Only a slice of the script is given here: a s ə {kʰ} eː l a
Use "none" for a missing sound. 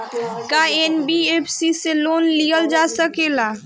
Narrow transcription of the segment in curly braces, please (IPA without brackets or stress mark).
k